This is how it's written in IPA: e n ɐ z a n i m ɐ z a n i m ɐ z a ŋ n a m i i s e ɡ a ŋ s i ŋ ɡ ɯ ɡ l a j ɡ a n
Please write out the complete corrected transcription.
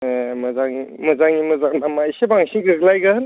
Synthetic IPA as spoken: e m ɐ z a ŋ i m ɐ z a ŋ i m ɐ z a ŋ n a m a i s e b a ŋ s i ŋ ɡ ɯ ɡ l a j ɡ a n